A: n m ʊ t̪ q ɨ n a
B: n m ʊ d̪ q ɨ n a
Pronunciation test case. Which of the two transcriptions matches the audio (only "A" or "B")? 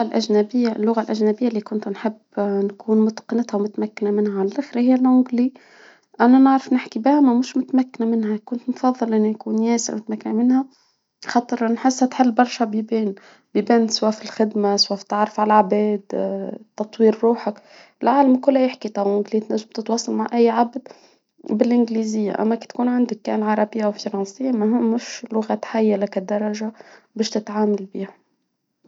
A